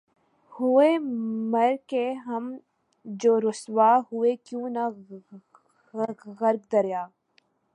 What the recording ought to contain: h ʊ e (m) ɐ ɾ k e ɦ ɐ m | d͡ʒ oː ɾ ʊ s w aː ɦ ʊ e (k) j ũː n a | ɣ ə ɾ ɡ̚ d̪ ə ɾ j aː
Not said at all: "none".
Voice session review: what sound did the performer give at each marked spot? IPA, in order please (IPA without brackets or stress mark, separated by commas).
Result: m, k